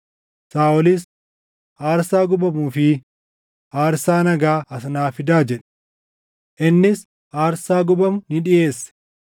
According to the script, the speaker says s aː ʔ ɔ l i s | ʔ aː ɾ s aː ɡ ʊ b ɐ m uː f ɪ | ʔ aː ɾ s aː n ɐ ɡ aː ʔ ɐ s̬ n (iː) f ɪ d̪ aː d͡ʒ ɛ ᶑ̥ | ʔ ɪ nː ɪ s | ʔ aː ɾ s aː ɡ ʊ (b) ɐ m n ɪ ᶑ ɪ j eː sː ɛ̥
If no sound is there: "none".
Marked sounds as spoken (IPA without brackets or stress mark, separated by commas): aː, b